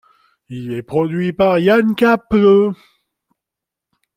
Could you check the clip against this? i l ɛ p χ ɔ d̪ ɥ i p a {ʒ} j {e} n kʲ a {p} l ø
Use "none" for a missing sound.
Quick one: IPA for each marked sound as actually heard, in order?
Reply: ʁ, a, p

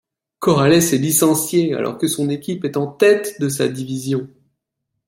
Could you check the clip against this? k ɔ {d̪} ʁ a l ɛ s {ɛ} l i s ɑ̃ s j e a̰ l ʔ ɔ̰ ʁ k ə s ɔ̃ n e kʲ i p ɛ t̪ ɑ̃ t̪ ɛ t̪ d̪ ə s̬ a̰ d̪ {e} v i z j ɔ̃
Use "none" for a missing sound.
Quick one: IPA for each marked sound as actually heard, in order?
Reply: none, ɛ, i

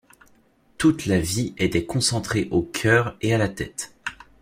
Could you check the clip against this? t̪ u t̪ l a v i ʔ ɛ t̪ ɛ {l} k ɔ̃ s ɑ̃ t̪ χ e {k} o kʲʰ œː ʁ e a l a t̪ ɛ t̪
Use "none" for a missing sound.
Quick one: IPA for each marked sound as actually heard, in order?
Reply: none, ʔ

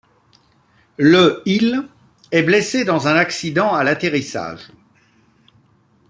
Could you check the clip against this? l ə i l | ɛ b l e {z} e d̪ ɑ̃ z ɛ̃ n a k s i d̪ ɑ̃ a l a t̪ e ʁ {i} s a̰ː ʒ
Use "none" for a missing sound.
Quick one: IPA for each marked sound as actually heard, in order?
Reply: s, i

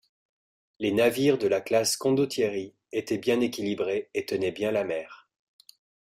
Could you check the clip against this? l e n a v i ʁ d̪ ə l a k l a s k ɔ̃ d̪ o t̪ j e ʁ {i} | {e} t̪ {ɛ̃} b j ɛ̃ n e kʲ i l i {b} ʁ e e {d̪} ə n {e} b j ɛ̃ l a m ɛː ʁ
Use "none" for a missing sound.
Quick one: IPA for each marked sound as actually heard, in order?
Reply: i, e, ɛ, b, t̪, ɛ

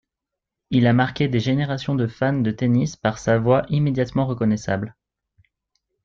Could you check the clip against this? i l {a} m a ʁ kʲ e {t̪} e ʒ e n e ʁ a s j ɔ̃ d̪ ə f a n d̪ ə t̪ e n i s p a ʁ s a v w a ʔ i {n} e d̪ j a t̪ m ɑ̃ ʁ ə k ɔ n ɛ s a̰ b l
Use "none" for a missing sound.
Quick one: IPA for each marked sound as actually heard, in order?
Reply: a, d̪, m

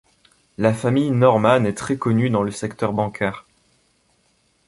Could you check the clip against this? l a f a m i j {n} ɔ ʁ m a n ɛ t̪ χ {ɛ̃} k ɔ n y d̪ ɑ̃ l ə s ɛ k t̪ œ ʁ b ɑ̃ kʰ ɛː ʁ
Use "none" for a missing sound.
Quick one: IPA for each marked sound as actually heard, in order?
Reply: n, ɛ

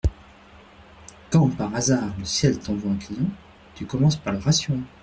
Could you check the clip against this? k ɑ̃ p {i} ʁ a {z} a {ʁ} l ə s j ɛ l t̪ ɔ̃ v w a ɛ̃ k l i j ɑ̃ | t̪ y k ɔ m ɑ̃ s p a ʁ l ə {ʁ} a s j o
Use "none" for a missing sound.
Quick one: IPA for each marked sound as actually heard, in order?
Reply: a, z, ʁ, ʁ

